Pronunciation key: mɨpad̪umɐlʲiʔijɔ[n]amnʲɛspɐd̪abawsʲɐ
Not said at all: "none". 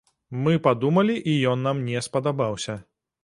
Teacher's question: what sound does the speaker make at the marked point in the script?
nː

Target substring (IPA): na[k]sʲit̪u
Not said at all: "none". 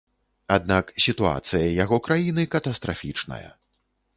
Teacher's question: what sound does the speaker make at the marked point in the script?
k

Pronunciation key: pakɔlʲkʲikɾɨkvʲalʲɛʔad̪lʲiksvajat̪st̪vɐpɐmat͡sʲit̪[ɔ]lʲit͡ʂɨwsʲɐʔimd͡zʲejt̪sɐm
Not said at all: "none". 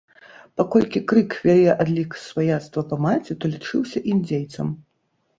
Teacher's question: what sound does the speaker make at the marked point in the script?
ɔ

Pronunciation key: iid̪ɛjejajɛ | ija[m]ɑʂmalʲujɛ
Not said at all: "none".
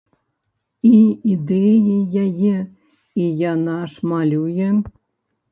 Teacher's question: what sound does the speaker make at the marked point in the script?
n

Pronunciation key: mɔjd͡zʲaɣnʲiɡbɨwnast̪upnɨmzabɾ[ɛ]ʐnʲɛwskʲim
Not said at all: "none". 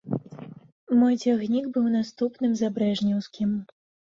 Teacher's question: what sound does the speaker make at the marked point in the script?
ɛ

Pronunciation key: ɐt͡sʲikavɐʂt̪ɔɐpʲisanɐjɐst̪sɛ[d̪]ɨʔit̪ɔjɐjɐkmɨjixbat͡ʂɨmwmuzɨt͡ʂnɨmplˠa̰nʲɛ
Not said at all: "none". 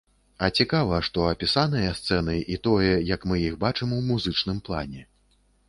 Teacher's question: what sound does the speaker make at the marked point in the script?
n̪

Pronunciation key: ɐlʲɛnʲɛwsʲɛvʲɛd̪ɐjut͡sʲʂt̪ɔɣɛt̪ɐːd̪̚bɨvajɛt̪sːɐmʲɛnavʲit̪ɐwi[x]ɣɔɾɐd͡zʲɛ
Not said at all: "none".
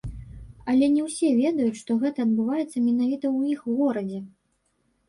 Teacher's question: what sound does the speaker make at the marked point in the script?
x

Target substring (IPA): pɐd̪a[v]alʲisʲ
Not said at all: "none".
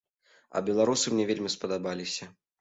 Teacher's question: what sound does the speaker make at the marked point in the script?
b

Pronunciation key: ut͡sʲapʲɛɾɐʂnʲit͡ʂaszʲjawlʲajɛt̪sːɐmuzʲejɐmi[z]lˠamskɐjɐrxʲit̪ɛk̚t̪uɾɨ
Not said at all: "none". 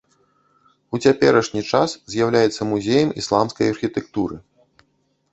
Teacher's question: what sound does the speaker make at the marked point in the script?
s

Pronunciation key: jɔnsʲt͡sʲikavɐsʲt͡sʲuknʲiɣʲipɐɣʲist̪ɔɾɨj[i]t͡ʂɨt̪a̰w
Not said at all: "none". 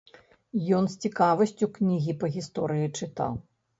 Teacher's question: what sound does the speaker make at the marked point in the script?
i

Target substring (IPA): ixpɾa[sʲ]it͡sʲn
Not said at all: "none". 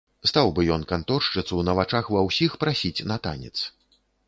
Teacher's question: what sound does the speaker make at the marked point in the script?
sʲ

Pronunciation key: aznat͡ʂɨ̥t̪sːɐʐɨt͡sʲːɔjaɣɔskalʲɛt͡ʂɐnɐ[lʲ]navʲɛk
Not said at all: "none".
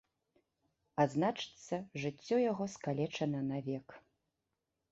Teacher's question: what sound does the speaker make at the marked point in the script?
none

